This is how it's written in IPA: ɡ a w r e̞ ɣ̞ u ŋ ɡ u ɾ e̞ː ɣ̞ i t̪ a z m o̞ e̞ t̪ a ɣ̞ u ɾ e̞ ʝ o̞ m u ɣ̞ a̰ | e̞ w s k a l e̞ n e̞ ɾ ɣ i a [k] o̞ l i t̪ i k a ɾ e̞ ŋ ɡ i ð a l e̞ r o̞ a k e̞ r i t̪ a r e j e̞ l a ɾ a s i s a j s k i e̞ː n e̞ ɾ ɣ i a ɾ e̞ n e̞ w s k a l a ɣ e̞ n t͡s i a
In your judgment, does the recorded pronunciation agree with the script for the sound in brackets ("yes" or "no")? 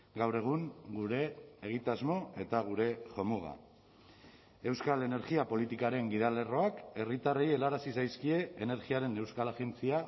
no